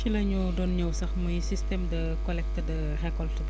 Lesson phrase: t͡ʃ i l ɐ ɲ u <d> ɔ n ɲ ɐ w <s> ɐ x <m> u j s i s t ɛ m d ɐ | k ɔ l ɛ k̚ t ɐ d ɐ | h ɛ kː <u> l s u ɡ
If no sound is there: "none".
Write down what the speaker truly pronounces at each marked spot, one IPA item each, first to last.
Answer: d, s, m, ɔ

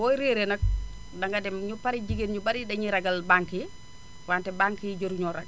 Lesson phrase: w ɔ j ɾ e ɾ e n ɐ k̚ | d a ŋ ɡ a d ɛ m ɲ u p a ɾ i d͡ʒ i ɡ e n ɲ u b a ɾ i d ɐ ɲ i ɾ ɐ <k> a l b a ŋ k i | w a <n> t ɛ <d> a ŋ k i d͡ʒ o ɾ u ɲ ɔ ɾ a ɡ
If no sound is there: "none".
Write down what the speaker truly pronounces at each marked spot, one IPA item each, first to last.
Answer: ɡ, n, b

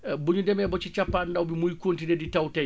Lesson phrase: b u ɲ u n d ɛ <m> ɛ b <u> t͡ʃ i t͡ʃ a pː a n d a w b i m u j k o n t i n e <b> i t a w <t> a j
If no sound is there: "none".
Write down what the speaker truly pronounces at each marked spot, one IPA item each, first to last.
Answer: m, ɔ, d, t

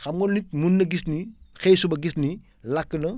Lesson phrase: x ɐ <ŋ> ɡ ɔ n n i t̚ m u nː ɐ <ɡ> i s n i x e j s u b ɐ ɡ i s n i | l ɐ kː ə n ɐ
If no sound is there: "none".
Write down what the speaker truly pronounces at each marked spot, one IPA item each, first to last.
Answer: m, ɡ

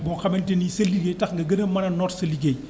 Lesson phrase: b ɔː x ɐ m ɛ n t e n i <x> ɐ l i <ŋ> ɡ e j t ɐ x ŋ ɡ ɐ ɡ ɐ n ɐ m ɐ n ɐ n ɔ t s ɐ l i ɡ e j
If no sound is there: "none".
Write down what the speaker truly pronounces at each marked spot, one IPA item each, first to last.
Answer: s, none

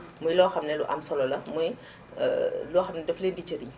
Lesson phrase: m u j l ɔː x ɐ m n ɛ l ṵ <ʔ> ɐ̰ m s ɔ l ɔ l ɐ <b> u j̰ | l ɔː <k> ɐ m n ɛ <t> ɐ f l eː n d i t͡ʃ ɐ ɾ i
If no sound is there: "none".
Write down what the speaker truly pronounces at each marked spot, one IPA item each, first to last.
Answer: ʔ, m, x, d

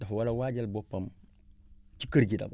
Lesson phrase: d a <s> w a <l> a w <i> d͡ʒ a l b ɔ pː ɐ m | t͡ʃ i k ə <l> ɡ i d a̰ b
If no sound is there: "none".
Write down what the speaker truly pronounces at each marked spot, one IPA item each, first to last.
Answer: f, l, a, ɾ

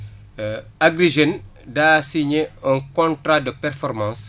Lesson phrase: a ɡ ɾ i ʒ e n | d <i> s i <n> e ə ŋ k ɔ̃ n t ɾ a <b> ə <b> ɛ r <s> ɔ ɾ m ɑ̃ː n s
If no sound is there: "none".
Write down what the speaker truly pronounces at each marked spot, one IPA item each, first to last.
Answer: a, ɲ, d, p, f

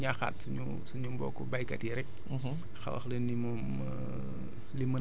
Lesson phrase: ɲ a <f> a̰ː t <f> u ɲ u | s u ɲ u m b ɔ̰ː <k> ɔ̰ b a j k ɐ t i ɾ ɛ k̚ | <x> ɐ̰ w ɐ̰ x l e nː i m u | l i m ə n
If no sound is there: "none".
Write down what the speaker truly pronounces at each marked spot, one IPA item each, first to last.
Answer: x, s, k, x

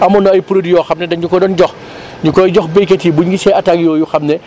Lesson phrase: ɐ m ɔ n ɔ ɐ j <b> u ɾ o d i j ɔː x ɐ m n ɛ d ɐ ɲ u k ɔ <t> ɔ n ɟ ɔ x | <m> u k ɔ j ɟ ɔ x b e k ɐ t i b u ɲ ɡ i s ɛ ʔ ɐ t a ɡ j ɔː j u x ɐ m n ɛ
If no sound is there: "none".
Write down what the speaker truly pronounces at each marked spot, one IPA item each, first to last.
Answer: p, d, ɲ

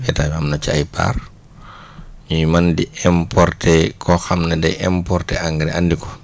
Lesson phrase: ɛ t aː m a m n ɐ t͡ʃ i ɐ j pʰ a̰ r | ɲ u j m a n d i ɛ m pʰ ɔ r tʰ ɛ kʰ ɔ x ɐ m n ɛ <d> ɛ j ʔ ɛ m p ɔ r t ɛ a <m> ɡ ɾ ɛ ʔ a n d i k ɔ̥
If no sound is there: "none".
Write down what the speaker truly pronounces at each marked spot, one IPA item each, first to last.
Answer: d, ŋ

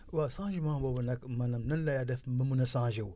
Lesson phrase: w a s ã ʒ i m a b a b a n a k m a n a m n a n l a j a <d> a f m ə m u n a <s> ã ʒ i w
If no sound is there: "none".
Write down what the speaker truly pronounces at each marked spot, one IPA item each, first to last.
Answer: d, s

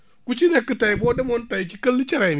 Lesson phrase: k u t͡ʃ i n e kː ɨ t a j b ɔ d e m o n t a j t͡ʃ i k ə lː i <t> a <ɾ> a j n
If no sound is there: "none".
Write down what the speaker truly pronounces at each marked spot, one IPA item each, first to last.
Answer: t͡ʃ, ɾ

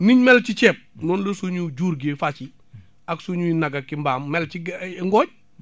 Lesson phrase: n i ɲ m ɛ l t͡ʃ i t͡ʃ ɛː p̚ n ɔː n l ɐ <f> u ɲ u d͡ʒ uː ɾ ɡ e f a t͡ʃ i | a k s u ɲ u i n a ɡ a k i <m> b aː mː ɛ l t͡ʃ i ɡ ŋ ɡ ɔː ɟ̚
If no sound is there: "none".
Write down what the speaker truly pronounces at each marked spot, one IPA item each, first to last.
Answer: s, m

